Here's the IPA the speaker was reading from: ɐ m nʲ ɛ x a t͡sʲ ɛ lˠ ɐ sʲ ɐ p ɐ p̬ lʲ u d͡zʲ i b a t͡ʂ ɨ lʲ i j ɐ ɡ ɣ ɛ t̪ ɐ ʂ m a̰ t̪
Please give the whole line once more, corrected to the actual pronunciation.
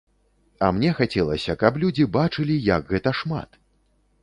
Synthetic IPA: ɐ m nʲ ɛ x a t͡sʲ ɛ lˠ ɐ sʲ ɐ k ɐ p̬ lʲ u d͡zʲ i b a t͡ʂ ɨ lʲ i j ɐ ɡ ɣ ɛ t̪ ɐ ʂ m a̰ t̪